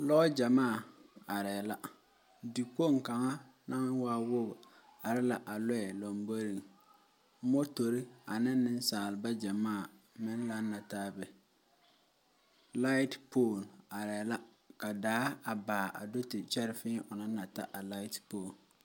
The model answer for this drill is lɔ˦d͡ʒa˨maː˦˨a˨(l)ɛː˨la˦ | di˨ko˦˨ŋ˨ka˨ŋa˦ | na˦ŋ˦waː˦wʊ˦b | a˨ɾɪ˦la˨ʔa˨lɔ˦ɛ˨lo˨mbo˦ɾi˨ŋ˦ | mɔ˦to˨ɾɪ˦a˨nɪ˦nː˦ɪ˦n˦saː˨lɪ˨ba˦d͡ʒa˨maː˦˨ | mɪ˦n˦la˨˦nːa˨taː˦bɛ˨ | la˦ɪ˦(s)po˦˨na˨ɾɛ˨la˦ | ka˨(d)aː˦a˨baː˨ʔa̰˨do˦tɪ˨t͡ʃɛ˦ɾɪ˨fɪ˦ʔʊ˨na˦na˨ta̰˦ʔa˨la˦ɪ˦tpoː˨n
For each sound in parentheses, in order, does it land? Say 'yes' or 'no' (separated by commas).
no, no, yes